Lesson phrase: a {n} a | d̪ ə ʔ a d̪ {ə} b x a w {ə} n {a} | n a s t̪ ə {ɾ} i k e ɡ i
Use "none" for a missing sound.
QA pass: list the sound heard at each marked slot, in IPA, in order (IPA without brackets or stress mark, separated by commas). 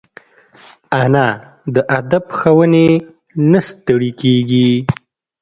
n, a, ə, e, ɽ